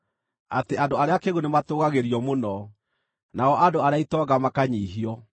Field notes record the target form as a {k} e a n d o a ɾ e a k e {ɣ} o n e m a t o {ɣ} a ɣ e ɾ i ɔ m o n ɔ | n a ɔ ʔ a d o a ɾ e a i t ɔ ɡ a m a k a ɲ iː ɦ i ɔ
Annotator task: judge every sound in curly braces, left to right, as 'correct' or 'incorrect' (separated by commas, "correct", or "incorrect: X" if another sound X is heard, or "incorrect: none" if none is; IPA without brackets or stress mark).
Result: incorrect: t, correct, correct